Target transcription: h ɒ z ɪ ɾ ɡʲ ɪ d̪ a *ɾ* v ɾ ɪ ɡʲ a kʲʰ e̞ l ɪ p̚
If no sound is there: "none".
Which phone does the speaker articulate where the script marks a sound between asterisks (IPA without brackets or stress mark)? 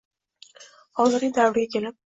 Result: none